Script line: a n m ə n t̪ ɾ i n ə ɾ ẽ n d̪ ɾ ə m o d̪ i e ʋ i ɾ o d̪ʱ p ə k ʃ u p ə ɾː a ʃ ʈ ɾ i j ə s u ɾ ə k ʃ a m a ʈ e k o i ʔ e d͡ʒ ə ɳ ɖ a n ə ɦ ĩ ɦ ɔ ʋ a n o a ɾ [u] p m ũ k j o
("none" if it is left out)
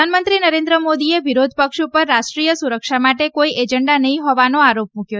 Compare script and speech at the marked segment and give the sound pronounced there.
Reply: o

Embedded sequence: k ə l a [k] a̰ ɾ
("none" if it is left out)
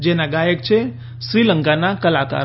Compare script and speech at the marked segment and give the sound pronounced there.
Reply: k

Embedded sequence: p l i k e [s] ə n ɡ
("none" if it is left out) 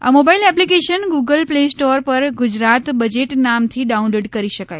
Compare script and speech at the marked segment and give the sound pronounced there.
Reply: ʃ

